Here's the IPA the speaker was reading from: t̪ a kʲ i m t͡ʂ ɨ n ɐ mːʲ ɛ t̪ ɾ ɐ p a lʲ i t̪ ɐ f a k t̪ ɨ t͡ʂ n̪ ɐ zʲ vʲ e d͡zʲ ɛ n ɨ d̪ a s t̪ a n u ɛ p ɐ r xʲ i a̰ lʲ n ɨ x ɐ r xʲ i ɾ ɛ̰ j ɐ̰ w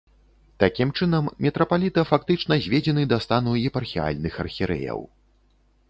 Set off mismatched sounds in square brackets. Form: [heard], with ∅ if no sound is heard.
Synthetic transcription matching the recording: t̪ a kʲ i m t͡ʂ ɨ n ɐ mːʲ ɛ t̪ ɾ ɐ p a lʲ i t̪ ɐ f a k t̪ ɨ t͡ʂ n̪ ɐ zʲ vʲ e d͡zʲ ɛ n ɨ d̪ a s t̪ a n u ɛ p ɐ r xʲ i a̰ lʲ n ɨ x ɐ r xʲ i ɾ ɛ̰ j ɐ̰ w